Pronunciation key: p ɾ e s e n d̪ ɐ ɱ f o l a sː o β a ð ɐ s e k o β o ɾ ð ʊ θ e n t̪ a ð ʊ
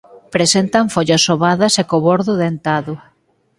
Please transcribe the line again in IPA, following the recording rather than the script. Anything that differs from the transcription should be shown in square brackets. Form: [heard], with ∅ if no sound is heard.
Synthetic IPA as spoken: p ɾ e s e n [t̪] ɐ ɱ f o [ʎ] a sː o β a ð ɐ s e k o β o ɾ ð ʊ [ð] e n t̪ a ð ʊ